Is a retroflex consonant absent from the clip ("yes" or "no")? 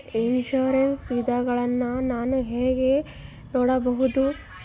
no